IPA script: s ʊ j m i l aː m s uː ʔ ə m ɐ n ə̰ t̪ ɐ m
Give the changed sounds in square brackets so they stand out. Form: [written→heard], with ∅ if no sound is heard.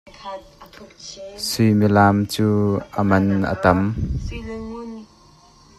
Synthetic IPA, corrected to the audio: s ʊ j m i l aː m [s→t͡s] uː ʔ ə m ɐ n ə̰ t̪ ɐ m